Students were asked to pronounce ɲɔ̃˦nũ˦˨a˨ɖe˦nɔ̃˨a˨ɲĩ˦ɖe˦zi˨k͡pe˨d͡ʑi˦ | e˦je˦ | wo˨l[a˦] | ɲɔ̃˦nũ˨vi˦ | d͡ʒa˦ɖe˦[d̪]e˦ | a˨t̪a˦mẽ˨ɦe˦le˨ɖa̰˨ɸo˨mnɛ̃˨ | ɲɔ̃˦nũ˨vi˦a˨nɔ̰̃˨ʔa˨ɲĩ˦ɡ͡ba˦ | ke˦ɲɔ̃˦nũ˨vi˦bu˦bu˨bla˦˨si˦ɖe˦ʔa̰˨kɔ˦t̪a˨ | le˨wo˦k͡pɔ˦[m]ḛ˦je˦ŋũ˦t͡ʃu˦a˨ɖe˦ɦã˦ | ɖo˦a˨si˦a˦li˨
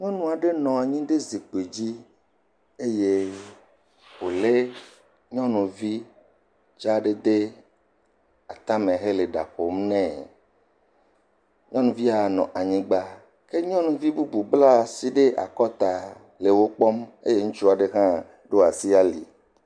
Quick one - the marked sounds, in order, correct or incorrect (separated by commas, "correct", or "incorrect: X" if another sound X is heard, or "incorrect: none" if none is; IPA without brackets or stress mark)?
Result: incorrect: e˦, correct, correct